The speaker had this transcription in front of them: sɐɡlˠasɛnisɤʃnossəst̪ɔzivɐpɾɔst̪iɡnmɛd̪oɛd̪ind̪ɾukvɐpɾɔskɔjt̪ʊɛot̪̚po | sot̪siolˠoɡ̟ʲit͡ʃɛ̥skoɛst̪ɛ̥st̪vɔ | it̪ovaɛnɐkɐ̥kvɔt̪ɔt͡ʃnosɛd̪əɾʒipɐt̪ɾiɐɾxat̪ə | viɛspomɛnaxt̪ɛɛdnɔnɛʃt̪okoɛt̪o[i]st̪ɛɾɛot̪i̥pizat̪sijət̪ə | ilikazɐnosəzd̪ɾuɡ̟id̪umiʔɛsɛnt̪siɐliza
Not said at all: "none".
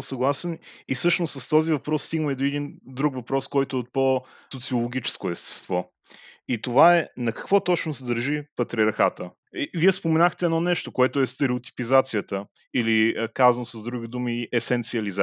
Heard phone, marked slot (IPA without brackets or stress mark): ɛ